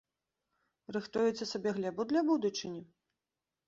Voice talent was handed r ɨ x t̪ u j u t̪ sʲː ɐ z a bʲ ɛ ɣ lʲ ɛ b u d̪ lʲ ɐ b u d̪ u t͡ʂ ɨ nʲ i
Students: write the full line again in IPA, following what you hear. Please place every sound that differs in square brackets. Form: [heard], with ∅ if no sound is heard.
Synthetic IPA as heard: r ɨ x t̪ u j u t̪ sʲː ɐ [s] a bʲ ɛ ɣ lʲ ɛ b u d̪ lʲ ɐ b u d̪ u t͡ʂ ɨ nʲ i